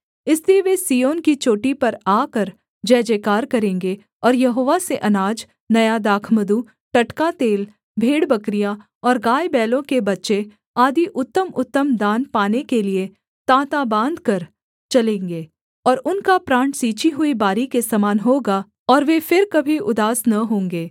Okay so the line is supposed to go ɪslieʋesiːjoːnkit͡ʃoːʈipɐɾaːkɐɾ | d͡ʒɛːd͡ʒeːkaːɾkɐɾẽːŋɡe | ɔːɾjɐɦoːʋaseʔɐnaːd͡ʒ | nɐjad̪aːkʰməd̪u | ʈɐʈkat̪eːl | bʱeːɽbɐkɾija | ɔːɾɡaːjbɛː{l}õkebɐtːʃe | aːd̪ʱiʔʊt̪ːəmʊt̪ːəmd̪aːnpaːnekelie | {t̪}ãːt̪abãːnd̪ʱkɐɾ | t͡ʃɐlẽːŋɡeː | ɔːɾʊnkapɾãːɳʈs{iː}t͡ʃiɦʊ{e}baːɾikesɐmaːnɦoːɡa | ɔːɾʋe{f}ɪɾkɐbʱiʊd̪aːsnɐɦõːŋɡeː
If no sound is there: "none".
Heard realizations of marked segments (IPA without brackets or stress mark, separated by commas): l, t̪, iː, i, f